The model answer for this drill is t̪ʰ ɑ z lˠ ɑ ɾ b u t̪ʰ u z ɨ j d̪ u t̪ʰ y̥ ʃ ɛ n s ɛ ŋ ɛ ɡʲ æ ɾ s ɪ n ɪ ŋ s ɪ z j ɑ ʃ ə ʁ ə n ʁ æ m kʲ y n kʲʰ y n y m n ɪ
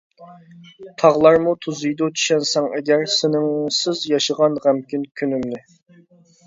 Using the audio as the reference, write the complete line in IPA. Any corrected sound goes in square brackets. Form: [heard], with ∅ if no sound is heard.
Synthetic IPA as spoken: t̪ʰ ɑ [ʁ] lˠ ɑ ɾ [m] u t̪ʰ u z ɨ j d̪ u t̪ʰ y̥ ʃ ɛ n s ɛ ŋ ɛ ɡʲ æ ɾ s ɪ n ɪ ŋ s ɪ z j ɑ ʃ ə ʁ [ɑ] n ʁ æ m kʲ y n kʲʰ y n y m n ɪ